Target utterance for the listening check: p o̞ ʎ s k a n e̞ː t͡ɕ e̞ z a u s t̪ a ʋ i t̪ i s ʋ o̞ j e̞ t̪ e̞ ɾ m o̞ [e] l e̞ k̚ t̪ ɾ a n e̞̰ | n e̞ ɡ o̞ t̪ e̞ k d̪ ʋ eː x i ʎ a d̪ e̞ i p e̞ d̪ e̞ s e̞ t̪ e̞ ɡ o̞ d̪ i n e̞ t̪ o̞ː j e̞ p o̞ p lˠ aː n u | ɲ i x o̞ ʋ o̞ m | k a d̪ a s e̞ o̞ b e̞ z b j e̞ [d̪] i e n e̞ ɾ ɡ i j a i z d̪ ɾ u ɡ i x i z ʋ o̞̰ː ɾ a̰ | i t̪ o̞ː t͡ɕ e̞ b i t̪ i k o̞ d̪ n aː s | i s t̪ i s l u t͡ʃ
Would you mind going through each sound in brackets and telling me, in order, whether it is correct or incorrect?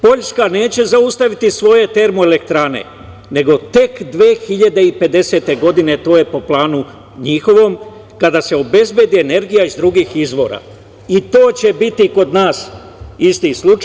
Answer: correct, correct

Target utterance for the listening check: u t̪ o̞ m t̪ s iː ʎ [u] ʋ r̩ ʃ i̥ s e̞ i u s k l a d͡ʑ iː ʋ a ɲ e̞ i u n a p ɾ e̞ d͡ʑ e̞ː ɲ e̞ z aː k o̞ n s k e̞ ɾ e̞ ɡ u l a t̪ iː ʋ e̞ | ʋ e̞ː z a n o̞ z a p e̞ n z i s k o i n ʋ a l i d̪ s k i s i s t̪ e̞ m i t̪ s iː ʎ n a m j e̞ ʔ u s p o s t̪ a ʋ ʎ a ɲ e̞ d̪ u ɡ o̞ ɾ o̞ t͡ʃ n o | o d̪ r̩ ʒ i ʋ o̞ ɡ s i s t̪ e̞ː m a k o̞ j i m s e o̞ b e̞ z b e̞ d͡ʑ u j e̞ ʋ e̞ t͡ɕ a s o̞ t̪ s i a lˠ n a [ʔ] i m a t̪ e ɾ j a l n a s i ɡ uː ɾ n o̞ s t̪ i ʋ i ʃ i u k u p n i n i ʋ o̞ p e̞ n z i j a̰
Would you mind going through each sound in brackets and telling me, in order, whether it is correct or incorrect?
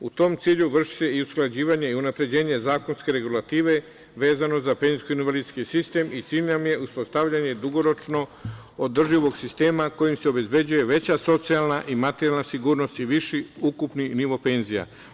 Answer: correct, correct

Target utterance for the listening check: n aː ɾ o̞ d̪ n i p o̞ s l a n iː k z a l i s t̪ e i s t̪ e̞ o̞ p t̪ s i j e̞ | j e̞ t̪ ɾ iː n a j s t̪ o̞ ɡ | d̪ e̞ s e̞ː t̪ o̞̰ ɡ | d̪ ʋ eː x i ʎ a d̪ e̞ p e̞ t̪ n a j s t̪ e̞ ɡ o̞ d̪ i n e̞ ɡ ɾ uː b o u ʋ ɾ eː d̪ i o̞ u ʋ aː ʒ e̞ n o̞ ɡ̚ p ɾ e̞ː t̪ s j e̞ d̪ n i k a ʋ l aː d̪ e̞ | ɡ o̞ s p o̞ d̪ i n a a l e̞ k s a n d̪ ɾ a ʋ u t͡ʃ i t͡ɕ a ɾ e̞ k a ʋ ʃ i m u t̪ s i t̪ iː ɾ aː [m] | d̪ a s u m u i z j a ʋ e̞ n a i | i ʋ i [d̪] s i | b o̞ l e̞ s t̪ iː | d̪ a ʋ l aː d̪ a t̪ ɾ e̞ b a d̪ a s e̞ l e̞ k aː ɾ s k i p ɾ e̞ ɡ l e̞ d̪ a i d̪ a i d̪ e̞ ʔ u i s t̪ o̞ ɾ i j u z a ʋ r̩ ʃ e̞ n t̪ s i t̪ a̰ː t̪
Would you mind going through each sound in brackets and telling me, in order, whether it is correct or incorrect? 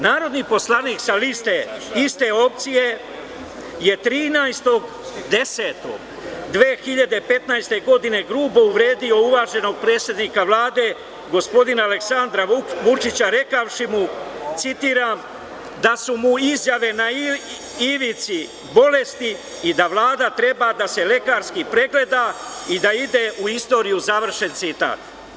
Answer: correct, incorrect: t̪

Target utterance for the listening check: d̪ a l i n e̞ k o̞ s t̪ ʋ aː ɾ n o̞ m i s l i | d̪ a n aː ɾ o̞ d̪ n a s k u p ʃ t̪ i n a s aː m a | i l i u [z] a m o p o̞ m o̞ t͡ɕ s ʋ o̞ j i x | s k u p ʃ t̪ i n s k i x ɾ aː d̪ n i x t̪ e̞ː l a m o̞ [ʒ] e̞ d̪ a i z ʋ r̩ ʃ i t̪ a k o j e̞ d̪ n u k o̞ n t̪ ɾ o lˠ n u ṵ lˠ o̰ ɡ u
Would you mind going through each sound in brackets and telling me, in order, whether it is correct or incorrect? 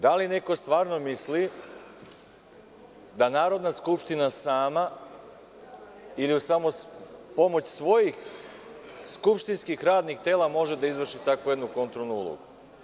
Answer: incorrect: s, correct

